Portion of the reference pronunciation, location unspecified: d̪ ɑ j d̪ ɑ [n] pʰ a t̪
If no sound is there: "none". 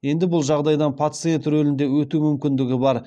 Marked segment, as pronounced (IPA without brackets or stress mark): n